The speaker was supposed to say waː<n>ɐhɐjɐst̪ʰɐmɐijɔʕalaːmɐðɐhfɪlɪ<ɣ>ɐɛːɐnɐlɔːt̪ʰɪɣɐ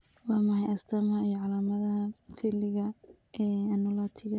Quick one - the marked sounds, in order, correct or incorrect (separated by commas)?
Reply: incorrect, correct